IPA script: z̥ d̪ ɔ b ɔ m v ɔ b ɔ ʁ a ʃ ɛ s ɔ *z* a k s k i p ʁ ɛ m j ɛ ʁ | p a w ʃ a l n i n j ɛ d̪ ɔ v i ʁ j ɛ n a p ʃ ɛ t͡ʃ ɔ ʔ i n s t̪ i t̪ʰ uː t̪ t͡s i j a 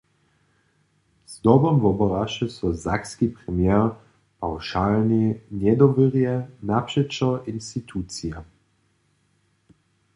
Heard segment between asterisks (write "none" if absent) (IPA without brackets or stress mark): z